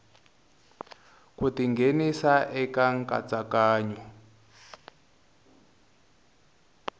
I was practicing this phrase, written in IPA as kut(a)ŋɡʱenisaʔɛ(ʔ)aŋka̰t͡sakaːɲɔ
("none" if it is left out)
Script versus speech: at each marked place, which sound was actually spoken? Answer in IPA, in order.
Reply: i, k

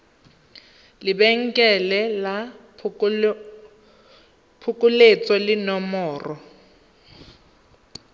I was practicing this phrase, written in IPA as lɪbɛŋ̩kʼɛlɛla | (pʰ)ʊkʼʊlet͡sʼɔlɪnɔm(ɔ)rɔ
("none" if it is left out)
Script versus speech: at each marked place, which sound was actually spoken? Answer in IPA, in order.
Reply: pʰ, ɔː

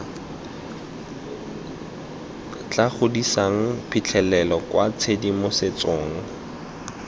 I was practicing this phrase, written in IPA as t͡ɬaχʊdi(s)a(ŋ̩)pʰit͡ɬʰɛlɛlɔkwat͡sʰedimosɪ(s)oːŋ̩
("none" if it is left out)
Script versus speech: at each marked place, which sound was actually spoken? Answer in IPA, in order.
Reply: s, ŋ̩, t͡s

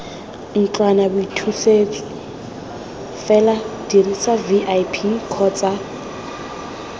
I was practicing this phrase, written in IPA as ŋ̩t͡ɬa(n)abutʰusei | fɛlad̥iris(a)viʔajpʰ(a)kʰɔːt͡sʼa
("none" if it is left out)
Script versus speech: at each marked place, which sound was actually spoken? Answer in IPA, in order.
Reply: n, a, i

